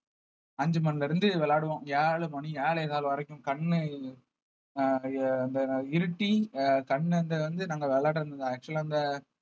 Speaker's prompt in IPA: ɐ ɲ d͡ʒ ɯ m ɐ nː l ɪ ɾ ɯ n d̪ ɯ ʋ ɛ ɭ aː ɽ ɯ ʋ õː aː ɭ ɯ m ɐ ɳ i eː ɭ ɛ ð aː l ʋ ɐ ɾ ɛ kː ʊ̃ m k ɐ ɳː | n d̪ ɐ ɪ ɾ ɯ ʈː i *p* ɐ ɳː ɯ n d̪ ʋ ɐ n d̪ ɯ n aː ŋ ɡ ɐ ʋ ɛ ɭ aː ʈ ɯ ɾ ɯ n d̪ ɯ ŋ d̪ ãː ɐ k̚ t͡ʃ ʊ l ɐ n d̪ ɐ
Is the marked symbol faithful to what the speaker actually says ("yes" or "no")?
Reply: no